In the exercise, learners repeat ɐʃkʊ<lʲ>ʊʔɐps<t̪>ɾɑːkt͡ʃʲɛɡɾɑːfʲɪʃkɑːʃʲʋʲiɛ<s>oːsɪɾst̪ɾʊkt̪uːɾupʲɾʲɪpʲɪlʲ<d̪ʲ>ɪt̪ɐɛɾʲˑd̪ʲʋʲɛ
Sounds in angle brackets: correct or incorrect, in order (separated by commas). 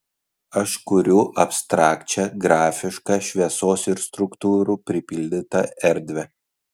incorrect, correct, correct, correct